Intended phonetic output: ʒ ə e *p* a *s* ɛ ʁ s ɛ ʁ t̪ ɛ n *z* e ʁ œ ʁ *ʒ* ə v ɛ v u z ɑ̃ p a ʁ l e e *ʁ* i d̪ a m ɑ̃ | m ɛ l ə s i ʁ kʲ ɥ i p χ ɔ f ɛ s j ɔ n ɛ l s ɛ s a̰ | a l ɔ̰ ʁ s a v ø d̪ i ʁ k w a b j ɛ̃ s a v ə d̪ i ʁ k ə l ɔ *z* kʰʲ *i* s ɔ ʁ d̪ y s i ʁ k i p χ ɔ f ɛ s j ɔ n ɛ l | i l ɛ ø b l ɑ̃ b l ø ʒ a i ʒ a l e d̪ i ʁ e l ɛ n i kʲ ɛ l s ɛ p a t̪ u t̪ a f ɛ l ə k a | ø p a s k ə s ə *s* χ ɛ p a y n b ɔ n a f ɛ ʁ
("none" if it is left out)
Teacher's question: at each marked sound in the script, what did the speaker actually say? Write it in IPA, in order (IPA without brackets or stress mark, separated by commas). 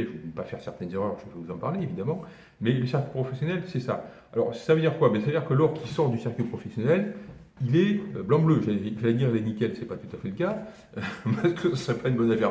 p, f, z, ʒ, v, ʁ, i, s